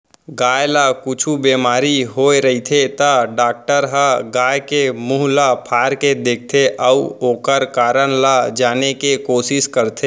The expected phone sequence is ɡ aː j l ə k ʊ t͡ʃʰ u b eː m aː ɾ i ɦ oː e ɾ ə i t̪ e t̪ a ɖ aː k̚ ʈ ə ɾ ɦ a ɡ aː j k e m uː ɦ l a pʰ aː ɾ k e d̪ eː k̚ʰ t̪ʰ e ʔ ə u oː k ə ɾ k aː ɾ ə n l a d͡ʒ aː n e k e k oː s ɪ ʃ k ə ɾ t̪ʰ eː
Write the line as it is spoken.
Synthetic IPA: ɡ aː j l a k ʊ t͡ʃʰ u b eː m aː ɾ i ɦ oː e ɾ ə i t̪ʰ e t̪ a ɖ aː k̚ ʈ ə ɾ ɦ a ɡ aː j k e m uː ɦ l a pʰ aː ɾ k e d̪ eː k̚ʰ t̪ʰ e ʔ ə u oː k ə ɾ k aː ɾ ə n l a d͡ʒ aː n e k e k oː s ɪ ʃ k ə ɾ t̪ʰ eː